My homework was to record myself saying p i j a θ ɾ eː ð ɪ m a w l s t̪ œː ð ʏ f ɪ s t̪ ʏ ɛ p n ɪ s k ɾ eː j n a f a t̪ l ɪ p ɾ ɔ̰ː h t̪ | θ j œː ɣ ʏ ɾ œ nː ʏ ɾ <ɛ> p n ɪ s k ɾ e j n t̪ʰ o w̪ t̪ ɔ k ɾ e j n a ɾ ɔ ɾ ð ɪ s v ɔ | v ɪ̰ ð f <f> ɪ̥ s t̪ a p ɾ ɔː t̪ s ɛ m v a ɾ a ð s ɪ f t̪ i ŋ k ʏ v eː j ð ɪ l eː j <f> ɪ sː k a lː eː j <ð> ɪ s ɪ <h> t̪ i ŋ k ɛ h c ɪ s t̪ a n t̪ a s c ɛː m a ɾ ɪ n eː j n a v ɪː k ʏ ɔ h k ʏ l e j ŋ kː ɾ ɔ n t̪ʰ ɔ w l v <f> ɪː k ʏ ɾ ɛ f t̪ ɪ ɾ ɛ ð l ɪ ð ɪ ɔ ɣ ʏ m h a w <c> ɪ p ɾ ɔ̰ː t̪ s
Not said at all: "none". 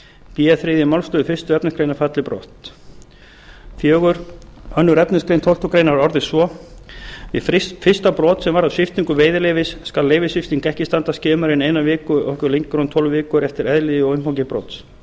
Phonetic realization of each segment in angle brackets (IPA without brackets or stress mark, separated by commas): ɛ, f, v, v, f, v, c